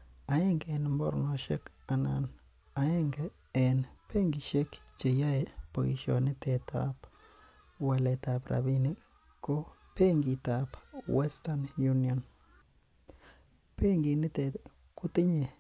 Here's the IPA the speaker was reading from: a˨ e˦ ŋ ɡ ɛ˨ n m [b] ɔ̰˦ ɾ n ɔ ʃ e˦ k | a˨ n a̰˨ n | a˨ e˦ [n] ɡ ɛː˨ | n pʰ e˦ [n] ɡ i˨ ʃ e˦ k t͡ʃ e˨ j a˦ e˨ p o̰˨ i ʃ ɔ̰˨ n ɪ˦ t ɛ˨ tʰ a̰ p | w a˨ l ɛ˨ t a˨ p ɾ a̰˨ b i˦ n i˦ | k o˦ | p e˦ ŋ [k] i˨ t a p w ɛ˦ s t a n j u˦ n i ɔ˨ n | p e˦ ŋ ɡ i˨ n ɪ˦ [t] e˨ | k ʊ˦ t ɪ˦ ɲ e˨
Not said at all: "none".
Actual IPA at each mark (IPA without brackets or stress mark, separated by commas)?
b, ŋ, ŋ, ɡ, t